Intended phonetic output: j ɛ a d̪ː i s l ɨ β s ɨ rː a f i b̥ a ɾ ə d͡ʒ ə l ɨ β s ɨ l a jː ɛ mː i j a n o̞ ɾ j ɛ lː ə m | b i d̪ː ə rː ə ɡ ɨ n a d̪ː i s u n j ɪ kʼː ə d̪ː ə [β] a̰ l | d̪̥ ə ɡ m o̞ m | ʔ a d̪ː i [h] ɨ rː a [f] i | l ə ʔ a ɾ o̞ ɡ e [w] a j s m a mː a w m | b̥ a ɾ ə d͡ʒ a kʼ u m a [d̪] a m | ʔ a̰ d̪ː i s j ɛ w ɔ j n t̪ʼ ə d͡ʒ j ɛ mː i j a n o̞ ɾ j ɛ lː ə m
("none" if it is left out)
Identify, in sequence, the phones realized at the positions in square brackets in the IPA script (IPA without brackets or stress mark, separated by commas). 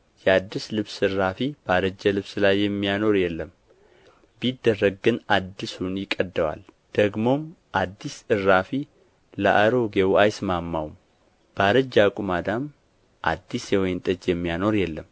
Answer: w, s, f, w, d̪